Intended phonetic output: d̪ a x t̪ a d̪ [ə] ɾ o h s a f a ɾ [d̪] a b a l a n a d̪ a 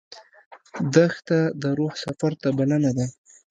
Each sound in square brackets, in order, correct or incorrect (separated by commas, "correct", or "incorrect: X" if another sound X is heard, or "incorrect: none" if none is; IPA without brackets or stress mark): correct, incorrect: t̪